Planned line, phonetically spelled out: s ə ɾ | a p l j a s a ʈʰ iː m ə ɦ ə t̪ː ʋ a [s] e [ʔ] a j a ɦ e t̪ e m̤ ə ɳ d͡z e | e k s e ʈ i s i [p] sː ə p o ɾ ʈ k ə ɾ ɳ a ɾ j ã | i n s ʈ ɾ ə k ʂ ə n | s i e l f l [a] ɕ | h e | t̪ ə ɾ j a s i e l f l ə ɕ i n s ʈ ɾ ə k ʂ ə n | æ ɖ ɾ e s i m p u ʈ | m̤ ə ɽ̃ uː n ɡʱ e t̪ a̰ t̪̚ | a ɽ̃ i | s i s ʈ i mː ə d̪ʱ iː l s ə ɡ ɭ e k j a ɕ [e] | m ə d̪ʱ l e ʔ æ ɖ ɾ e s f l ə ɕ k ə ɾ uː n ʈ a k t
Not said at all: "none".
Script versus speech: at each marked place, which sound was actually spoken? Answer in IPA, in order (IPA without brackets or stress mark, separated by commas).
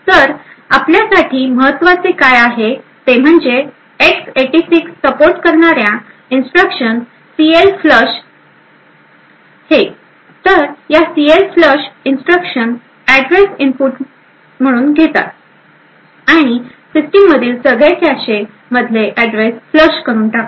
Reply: t͡s, k, k, ə, e